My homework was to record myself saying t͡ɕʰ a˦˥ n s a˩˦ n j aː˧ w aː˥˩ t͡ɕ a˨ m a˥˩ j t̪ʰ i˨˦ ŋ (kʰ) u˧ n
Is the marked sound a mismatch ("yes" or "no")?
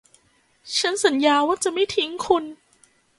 no